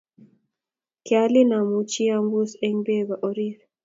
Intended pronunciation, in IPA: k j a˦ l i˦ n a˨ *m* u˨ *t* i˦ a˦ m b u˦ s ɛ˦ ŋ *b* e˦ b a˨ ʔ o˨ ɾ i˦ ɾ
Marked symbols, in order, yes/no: yes, no, yes

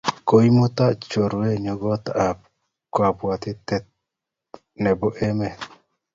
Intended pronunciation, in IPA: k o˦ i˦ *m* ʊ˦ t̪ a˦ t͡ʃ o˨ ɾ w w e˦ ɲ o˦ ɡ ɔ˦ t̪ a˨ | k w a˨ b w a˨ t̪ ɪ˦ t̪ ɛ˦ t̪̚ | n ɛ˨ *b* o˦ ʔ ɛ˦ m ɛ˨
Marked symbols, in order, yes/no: yes, yes

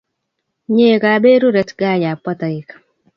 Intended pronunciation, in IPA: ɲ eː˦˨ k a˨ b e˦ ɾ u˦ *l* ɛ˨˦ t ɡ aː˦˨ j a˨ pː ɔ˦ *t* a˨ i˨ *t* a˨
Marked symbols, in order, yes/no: no, yes, no

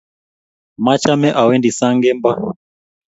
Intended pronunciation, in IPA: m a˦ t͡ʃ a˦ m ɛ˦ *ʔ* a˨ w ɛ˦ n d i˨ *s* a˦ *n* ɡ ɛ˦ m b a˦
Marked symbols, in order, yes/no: yes, yes, no

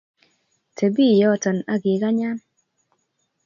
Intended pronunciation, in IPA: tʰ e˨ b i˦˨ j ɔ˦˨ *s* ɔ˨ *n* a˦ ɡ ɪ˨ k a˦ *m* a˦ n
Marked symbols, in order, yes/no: no, yes, no

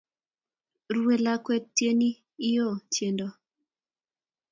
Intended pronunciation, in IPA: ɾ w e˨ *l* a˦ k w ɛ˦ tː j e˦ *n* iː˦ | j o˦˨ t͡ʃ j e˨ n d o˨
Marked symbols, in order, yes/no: yes, yes

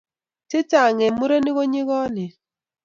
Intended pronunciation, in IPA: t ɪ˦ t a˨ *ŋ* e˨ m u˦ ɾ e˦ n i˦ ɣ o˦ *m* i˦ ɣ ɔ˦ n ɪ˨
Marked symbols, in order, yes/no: yes, no

